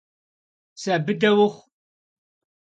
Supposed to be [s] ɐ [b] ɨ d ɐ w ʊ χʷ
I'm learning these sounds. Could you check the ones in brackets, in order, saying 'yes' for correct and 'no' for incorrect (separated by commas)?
yes, yes